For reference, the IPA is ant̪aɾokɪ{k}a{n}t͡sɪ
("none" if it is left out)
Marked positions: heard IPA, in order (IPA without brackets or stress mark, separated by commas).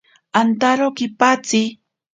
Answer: p, none